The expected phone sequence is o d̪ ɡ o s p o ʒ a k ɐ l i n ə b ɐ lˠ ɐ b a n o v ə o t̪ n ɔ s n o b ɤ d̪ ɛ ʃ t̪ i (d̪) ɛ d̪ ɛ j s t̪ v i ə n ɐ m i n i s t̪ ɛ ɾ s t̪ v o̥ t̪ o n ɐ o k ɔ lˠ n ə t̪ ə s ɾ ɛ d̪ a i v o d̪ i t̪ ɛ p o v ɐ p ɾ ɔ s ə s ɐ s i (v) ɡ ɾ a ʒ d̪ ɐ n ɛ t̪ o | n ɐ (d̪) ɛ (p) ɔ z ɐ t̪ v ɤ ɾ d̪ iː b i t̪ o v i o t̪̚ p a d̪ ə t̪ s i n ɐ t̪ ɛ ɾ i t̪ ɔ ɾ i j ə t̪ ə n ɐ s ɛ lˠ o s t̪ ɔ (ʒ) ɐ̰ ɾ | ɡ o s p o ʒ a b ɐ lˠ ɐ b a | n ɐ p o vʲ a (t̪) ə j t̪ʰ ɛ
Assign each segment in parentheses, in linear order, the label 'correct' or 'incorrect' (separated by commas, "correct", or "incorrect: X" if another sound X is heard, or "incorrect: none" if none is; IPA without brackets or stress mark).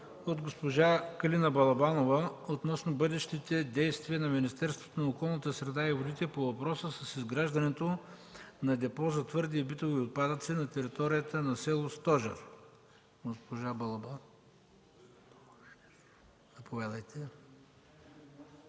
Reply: incorrect: t̪, incorrect: z, correct, correct, correct, incorrect: d̪